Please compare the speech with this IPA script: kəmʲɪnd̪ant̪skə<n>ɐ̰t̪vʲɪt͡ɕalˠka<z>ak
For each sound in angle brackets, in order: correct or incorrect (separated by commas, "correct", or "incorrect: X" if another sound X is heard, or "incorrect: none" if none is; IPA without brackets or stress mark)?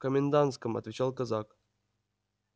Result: incorrect: m, correct